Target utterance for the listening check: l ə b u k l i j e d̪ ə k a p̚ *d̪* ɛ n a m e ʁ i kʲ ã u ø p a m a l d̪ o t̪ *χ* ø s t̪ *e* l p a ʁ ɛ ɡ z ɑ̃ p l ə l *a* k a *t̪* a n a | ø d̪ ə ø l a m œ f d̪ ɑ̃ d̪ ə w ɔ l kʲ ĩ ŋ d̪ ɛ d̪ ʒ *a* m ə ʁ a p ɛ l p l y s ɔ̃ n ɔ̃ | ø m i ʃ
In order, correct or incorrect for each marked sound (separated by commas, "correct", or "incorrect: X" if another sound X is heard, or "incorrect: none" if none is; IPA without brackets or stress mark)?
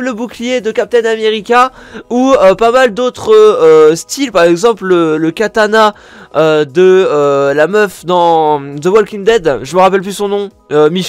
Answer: incorrect: t̪, correct, incorrect: i, incorrect: ə, correct, incorrect: ə